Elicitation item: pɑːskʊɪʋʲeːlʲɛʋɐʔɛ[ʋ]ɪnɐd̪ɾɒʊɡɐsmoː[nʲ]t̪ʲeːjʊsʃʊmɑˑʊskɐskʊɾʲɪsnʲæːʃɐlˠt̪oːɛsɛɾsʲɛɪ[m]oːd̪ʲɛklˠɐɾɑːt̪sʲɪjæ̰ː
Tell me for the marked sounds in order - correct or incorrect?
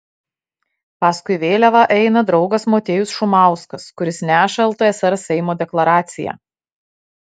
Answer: incorrect, incorrect, correct

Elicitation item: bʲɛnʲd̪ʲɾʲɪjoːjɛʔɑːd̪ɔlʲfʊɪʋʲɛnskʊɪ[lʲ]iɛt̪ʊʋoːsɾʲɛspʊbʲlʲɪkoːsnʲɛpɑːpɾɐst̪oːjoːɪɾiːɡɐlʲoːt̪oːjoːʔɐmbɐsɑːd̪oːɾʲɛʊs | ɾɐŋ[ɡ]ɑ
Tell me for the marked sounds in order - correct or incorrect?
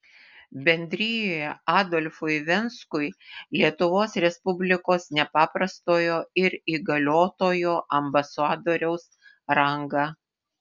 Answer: correct, correct

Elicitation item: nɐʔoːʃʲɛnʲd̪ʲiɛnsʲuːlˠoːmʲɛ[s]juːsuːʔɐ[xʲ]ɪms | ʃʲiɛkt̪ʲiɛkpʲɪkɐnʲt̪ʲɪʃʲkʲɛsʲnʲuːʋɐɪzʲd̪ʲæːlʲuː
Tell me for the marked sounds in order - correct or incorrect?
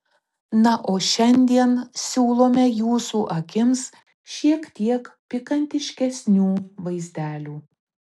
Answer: incorrect, incorrect

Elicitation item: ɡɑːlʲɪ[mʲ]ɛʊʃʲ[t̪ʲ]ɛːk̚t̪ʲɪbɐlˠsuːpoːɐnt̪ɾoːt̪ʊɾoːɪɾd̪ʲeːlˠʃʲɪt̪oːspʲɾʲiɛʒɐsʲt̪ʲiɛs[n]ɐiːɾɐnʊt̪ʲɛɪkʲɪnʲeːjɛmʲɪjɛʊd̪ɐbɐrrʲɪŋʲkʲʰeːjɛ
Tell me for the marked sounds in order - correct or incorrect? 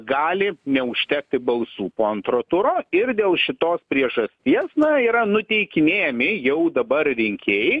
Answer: incorrect, correct, correct

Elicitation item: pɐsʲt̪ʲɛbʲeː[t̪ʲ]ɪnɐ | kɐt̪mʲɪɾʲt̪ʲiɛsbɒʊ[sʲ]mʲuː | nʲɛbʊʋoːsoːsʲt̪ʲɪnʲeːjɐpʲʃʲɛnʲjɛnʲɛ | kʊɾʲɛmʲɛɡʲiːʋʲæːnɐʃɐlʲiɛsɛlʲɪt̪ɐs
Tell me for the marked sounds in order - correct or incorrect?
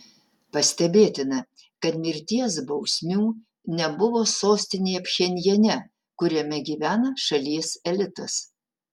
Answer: correct, correct

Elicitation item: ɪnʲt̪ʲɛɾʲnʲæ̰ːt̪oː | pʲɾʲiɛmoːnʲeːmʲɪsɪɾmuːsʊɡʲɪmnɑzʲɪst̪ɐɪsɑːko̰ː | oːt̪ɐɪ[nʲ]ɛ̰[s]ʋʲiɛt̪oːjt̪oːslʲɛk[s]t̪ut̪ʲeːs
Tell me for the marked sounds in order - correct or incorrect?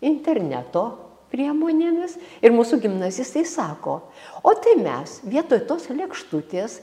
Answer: incorrect, correct, incorrect

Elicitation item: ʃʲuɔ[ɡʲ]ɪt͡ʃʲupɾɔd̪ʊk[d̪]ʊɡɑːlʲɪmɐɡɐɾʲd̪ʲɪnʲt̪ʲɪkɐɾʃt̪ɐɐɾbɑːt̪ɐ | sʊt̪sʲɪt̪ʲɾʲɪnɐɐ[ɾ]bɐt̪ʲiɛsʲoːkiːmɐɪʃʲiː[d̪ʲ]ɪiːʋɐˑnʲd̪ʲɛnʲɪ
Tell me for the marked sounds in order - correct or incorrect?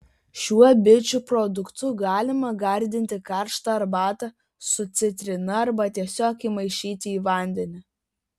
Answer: incorrect, incorrect, correct, incorrect

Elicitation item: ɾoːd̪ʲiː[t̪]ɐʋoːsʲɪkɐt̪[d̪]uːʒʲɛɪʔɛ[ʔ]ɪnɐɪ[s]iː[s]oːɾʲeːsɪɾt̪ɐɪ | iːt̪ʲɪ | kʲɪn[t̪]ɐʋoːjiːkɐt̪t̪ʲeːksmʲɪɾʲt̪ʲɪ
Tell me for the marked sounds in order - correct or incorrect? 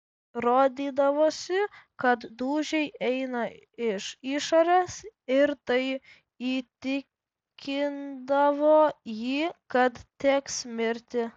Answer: incorrect, correct, incorrect, incorrect, incorrect, incorrect

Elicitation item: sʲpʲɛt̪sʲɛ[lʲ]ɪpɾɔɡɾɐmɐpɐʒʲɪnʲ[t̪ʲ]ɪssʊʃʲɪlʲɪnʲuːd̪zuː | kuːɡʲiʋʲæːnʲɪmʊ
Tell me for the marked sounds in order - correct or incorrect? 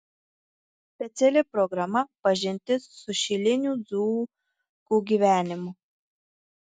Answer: correct, correct

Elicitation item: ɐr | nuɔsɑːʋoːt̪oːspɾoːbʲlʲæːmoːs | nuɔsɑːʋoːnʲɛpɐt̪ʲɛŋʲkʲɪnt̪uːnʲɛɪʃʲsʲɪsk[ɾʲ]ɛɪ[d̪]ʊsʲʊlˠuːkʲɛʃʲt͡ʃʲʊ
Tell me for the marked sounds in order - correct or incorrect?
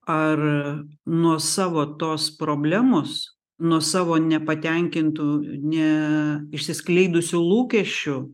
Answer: incorrect, correct

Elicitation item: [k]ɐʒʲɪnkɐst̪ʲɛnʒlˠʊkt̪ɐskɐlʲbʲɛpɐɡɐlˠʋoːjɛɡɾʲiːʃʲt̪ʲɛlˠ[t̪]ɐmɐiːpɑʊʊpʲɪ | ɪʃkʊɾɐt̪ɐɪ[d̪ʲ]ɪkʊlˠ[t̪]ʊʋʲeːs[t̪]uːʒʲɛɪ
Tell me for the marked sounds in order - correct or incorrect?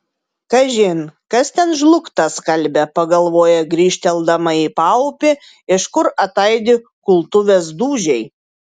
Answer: correct, incorrect, correct, correct, incorrect

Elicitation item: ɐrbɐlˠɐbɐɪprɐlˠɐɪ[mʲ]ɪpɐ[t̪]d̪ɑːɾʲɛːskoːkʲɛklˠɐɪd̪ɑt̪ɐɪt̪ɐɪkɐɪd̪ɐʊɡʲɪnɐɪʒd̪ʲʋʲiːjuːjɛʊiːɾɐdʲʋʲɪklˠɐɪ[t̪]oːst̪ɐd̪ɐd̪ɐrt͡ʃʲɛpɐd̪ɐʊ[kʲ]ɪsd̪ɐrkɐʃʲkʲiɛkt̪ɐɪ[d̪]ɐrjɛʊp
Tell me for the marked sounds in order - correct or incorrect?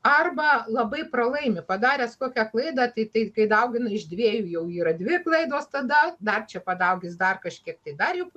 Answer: correct, incorrect, incorrect, incorrect, correct

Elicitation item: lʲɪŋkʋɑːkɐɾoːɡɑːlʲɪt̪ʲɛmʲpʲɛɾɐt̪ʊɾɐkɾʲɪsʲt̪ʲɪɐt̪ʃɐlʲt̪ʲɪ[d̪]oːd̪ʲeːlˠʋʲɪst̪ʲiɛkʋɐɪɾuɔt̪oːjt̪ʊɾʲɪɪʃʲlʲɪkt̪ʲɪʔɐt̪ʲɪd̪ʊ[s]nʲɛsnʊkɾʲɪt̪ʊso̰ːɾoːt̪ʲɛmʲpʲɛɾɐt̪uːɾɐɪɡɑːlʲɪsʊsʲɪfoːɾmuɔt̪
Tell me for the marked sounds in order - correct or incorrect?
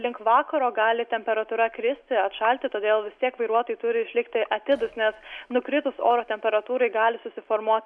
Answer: incorrect, correct

